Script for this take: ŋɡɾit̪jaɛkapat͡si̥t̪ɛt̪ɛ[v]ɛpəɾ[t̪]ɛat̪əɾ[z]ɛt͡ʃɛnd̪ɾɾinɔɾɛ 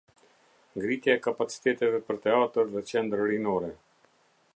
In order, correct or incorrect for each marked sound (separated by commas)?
correct, correct, incorrect